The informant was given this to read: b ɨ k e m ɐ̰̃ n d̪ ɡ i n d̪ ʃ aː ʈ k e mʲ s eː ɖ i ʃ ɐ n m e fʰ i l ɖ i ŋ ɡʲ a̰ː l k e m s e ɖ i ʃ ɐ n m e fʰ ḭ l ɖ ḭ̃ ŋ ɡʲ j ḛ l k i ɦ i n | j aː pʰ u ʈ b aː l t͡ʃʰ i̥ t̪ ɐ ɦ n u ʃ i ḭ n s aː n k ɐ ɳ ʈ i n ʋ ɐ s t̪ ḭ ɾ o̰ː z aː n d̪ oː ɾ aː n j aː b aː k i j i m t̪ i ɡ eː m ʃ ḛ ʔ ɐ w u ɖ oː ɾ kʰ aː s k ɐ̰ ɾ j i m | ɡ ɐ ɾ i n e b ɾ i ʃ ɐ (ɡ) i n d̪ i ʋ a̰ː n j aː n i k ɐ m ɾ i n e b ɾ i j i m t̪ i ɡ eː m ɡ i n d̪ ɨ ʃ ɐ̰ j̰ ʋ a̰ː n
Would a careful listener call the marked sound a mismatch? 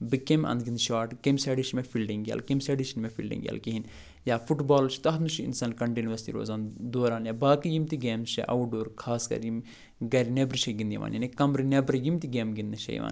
no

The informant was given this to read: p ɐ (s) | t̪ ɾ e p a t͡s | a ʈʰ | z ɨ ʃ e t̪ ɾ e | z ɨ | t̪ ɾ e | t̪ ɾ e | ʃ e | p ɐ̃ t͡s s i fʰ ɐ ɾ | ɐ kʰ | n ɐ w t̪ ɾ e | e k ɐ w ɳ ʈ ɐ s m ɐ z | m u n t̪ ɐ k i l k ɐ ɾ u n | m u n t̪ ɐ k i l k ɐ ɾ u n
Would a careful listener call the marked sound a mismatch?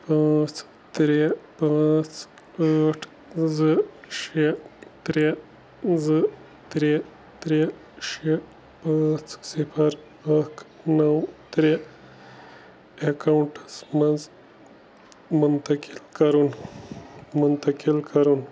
yes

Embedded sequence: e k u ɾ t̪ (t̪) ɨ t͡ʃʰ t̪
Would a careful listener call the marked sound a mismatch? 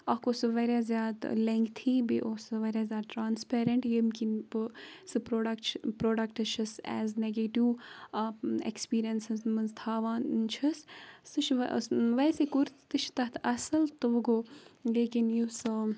no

